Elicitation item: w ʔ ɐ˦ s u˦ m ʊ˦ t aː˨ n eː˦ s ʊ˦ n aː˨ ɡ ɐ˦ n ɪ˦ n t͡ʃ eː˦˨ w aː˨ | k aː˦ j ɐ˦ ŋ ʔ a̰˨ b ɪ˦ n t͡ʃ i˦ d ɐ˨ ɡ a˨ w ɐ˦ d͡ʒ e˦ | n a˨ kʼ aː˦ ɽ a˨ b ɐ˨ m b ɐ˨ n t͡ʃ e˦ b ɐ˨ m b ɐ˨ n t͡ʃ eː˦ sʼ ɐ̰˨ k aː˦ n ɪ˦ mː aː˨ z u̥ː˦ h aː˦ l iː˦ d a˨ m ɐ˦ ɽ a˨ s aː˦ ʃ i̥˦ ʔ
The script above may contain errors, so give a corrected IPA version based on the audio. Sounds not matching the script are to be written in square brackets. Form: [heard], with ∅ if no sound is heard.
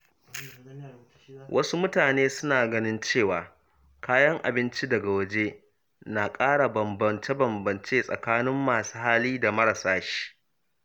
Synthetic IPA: w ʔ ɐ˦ s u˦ m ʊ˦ t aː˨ n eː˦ s ʊ˦ n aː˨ ɡ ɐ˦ n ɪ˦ n t͡ʃ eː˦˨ w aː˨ | k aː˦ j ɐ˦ ŋ ʔ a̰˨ b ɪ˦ n t͡ʃ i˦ d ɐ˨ ɡ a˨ w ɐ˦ d͡ʒ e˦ | n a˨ kʼ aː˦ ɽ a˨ b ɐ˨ m b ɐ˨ n t͡ʃ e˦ b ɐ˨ m b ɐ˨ n t͡ʃ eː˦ sʼ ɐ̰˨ k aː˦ n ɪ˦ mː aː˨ [s] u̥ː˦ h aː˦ l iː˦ d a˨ m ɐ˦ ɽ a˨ s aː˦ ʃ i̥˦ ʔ